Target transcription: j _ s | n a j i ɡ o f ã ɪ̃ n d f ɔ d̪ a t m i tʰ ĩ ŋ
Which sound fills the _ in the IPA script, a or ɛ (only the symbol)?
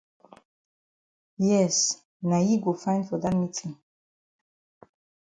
ɛ